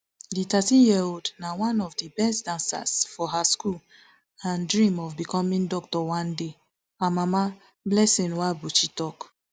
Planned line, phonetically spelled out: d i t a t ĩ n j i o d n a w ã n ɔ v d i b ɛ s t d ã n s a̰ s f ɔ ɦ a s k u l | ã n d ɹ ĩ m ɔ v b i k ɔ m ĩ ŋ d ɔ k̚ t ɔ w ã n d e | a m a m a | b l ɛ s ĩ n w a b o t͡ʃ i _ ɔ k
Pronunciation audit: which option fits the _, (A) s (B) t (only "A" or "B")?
B